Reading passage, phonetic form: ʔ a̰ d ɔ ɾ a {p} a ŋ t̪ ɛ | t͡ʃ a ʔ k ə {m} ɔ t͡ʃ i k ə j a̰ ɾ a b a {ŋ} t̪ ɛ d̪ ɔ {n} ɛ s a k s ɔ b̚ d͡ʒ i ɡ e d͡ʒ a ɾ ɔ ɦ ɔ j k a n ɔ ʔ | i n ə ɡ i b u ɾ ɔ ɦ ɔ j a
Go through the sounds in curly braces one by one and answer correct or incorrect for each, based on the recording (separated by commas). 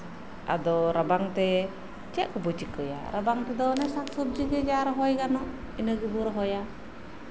incorrect, incorrect, correct, correct